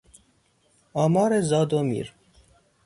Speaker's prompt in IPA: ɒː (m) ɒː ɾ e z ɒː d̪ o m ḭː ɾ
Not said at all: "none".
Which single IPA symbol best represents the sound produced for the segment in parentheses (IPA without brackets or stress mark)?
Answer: m